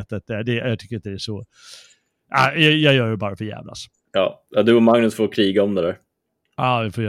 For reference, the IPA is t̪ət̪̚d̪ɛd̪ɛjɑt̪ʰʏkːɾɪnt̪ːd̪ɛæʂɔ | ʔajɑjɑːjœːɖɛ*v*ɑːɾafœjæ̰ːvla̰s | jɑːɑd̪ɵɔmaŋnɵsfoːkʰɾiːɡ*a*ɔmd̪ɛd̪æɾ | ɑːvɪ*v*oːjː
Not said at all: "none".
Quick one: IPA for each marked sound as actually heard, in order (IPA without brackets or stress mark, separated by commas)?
b, a, f